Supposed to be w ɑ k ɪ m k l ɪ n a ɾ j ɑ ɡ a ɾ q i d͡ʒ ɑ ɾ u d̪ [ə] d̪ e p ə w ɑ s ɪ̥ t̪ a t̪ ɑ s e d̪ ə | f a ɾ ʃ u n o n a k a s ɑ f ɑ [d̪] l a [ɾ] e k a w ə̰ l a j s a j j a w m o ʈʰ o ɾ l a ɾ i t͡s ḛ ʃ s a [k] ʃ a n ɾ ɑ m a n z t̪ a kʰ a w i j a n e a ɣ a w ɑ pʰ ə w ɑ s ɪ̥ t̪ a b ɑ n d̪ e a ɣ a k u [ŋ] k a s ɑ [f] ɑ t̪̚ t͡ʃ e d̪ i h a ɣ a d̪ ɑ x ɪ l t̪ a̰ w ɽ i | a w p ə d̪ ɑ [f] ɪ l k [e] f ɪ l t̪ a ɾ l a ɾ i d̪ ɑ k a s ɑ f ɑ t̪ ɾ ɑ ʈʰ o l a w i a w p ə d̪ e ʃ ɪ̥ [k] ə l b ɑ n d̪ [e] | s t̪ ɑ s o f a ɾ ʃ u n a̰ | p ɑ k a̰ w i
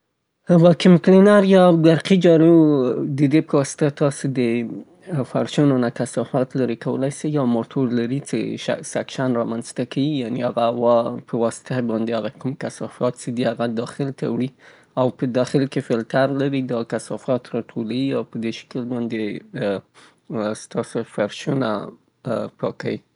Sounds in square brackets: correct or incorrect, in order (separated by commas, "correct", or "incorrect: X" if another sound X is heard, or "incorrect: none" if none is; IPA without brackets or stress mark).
correct, incorrect: t̪, correct, correct, incorrect: m, correct, incorrect: x, correct, correct, correct